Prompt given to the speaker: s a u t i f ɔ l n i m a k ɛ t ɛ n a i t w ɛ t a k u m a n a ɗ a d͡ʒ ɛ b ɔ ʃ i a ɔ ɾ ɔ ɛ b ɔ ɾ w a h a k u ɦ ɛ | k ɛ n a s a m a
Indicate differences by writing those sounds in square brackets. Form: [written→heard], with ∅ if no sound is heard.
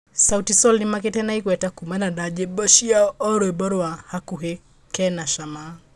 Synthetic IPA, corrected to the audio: s a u t i [f→s] ɔ l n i m a k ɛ t ɛ n a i [t→k] w ɛ t a k u m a n a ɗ a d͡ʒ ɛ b ɔ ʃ i a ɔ ɾ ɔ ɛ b ɔ ɾ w a h a k u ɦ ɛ | k ɛ n a [s→ʃ] a m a